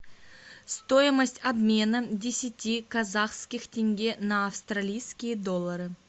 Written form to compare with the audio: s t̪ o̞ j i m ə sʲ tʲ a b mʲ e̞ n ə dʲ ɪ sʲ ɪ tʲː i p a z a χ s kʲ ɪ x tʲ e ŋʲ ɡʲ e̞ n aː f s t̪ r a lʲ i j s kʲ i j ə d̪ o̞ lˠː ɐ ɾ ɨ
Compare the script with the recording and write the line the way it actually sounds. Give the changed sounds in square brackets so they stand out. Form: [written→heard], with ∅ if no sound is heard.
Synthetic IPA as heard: s t̪ o̞ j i m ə sʲ tʲ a b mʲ e̞ n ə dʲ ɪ sʲ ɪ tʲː i [p→k] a z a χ s kʲ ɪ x tʲ e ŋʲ ɡʲ e̞ n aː f s t̪ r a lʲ i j s kʲ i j ə d̪ o̞ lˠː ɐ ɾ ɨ